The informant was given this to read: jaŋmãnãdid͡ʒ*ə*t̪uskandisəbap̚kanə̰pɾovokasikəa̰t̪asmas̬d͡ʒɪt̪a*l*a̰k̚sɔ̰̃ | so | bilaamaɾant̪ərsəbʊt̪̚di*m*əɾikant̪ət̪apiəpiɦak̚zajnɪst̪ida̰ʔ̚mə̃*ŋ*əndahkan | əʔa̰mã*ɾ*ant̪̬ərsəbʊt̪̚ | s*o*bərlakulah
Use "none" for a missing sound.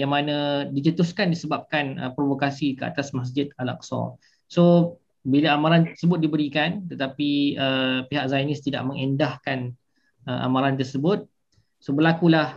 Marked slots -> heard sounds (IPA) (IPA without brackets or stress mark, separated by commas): ə, l, b, ŋ, ɾ, o